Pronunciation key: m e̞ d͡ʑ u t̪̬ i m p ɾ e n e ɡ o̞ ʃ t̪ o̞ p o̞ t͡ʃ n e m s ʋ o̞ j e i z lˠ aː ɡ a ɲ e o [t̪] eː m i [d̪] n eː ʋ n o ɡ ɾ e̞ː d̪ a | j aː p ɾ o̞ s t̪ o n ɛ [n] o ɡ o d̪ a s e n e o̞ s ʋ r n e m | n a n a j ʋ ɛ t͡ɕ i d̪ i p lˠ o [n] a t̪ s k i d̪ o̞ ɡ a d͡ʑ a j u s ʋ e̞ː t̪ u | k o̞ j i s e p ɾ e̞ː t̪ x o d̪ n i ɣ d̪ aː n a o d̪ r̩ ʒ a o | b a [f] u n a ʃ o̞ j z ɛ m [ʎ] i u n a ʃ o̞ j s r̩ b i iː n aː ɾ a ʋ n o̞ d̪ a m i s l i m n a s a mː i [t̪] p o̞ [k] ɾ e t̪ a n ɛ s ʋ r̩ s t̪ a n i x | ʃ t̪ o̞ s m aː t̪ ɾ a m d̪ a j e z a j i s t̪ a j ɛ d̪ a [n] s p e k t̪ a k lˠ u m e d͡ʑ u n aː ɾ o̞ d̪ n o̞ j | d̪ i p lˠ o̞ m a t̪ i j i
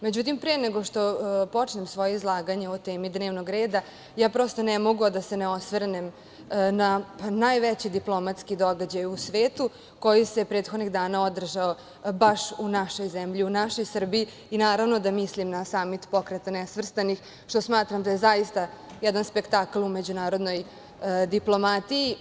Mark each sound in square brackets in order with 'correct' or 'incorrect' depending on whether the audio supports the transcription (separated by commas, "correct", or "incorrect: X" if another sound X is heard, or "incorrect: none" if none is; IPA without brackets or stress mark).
correct, correct, incorrect: m, incorrect: m, incorrect: ʃ, correct, correct, correct, correct